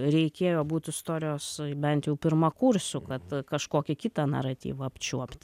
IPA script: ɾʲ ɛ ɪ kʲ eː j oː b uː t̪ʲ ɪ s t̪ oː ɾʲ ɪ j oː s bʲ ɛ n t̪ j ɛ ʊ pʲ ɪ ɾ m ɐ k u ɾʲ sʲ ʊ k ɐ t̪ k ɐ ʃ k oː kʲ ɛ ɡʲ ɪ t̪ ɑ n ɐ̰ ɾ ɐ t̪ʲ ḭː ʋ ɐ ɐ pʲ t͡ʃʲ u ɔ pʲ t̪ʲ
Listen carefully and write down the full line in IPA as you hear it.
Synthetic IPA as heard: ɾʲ ɛ ɪ kʲ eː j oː b uː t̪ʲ ɪ s t̪ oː ɾʲ ɪ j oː s bʲ ɛ n t̪ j ɛ ʊ pʲ ɪ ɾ m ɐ k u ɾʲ sʲ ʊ k ɐ t̪ k ɐ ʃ k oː kʲ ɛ kʲ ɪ t̪ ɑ n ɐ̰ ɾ ɐ t̪ʲ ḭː ʋ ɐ ɐ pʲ t͡ʃʲ u ɔ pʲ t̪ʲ